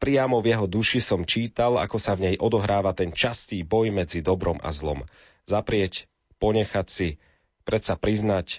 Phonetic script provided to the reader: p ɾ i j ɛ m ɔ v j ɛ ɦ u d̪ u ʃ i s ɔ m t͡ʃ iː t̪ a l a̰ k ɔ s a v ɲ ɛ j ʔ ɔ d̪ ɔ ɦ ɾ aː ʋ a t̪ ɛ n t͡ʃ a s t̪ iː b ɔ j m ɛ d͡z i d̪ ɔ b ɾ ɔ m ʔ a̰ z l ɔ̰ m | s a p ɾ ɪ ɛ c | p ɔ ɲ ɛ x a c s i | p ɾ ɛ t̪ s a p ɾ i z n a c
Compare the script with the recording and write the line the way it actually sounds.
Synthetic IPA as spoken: p ɾ i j a m ɔ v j ɛ ɦ ɔ d̪ u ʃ i s ɔ m t͡ʃ iː t̪ a l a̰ k ɔ s a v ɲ ɛ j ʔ ɔ d̪ ɔ ɦ ɾ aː ʋ a t̪ ɛ n t͡ʃ a s t̪ iː b ɔ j m ɛ d͡z i d̪ ɔ b ɾ ɔ m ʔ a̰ z l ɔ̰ m | z a p ɾ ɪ ɛ c | p ɔ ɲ ɛ x a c s i | p ɾ ɛ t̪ s a p ɾ i z n a c